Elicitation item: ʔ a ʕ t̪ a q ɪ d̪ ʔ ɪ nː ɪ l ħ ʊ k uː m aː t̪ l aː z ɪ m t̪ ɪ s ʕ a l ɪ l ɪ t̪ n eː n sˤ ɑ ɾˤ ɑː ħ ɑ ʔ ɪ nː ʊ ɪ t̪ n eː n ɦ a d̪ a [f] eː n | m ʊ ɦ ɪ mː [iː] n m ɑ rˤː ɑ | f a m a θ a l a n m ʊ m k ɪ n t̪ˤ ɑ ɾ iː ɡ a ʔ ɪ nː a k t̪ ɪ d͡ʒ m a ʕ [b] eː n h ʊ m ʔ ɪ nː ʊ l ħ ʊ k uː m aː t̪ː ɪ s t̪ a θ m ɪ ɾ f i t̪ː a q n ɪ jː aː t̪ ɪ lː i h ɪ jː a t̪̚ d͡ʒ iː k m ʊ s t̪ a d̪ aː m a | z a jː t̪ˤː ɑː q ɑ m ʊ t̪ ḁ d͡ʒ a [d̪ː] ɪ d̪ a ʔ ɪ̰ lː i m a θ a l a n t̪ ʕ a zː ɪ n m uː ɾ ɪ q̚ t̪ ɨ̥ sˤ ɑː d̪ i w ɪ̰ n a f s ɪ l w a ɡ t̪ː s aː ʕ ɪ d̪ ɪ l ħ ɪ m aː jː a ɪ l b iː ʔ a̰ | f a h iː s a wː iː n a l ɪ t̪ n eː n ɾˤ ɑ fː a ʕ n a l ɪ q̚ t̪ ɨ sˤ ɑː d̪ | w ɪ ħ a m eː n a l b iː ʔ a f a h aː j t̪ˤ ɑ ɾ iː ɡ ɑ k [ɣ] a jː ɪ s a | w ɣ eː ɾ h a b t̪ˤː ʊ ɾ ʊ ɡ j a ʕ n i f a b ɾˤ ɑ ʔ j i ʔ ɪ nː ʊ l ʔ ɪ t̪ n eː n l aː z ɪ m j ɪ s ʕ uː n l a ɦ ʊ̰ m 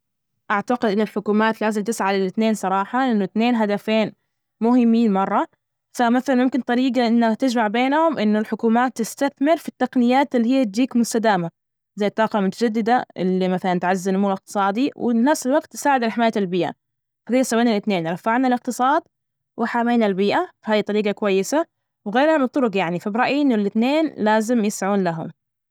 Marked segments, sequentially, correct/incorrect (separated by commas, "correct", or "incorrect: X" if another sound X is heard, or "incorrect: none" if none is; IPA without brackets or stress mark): correct, correct, correct, correct, incorrect: w